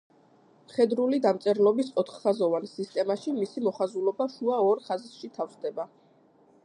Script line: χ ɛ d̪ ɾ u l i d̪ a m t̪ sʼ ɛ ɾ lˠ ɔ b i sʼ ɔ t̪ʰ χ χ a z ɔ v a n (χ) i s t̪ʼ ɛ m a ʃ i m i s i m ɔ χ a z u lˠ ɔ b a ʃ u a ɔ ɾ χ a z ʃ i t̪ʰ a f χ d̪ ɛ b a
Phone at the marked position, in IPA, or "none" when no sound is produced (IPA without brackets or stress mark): s